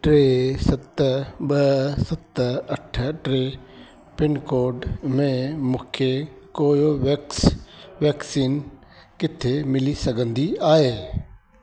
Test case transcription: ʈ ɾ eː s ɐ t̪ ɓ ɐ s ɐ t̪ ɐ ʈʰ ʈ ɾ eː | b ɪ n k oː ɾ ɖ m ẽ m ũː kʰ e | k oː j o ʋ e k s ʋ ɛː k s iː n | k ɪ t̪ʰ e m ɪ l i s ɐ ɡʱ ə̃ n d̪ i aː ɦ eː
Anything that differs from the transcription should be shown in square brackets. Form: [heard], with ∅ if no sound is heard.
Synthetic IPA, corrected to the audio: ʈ ɾ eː s ɐ t̪ ɓ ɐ s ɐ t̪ ɐ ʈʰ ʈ ɾ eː | [p] ɪ n k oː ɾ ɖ m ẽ m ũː kʰ e | k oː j o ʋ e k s ʋ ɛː k s iː n | k ɪ t̪ʰ e m ɪ l i s ɐ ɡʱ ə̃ n d̪ i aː ɦ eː